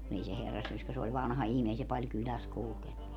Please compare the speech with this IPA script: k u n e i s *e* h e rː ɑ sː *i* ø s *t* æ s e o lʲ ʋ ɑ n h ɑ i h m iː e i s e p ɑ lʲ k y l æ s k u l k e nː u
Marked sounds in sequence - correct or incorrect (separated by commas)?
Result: correct, incorrect, incorrect